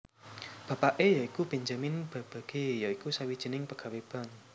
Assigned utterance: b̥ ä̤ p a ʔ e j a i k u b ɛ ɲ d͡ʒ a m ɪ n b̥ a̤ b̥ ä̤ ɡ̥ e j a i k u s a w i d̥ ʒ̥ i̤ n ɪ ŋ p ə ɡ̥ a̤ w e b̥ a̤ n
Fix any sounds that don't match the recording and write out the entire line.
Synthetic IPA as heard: b̥ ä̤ p a ʔ e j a i k u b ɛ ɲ d͡ʒ a m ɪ n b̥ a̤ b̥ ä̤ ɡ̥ e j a i k u s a w i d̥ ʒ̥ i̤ n ɪ ŋ p ə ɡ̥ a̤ w e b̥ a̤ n